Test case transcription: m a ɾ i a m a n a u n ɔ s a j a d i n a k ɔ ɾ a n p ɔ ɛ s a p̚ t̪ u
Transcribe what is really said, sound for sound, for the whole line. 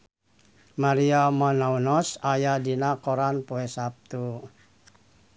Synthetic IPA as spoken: m a ɾ i a m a n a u n ɔ s a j a d i n a k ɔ ɾ a n p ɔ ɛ s a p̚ t̪ u